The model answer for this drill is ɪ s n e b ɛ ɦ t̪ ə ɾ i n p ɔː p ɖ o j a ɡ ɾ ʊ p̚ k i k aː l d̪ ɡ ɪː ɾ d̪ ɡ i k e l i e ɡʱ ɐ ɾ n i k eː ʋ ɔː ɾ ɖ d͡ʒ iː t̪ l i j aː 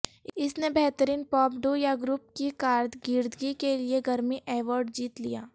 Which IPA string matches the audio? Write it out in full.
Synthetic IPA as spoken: ɪ s n e b ɛ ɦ t̪ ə ɾ iː n p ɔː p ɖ o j a ɡ ɾ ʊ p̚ k i k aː ɾ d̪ ɡ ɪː ɾ d̪ ɡ i k e l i e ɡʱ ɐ ɾ m i ʔ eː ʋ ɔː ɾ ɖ d͡ʒ iː t̪ l i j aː